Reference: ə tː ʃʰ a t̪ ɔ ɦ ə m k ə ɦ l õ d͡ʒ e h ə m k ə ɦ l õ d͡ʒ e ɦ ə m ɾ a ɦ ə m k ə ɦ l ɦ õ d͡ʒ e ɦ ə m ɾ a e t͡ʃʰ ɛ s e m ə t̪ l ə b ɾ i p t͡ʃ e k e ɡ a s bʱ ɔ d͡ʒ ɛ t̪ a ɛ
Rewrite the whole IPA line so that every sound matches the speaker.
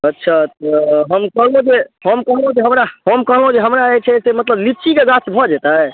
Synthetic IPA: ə tː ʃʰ a t̪ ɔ ɦ ə m k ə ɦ l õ d͡ʒ e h ə m k ə ɦ l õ d͡ʒ e ɦ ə m ɾ a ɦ ə m k ə ɦ l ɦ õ d͡ʒ e ɦ ə m ɾ a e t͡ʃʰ ɛ s e m ə t̪ l ə b l i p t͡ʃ i k e ɡ a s bʱ ɔ d͡ʒ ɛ t̪ a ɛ